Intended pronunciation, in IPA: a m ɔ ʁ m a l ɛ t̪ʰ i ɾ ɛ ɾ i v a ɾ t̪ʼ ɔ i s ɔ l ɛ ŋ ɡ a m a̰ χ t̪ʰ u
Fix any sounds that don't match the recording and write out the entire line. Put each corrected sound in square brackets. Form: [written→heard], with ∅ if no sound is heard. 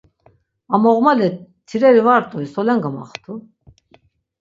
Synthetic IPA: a m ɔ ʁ m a l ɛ t̪ʰ i ɾ ɛ ɾ i v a ɾ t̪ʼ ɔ i s ɔ l ɛ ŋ ɡ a m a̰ χ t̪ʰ u